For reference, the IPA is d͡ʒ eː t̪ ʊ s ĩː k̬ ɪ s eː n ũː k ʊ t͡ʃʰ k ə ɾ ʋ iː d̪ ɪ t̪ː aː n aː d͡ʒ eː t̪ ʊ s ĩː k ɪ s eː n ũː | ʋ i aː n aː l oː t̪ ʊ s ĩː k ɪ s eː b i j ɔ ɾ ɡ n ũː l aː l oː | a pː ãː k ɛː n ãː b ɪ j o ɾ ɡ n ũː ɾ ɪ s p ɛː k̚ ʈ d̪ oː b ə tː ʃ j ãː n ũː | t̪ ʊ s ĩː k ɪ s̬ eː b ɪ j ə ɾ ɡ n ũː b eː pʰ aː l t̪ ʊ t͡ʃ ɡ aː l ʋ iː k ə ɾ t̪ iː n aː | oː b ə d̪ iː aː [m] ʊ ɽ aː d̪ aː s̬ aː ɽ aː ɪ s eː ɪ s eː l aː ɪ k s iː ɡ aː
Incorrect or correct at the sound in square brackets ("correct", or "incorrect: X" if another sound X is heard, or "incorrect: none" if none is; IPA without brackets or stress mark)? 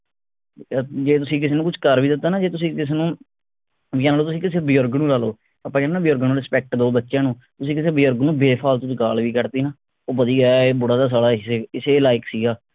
incorrect: b